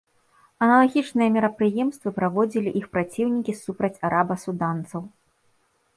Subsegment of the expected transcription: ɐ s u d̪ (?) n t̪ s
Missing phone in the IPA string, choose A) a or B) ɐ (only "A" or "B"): A